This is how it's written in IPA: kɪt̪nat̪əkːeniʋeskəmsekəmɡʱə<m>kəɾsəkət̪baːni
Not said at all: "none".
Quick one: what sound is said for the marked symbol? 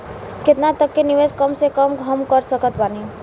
m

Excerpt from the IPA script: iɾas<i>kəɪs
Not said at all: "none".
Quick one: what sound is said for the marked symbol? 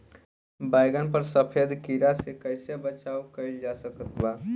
e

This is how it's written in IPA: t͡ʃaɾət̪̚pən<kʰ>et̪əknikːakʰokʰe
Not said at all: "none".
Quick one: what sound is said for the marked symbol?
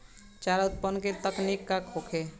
k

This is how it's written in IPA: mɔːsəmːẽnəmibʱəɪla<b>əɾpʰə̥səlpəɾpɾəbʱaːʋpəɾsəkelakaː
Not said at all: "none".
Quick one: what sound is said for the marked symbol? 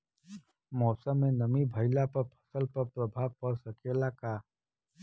p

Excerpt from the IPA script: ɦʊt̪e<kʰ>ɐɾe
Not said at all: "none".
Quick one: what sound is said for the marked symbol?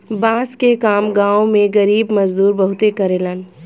k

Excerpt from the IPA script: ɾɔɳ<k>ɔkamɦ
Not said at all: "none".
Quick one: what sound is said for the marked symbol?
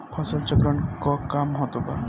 k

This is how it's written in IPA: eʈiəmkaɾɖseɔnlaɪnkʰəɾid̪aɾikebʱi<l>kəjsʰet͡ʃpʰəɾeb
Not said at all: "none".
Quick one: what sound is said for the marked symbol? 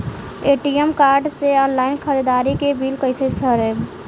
l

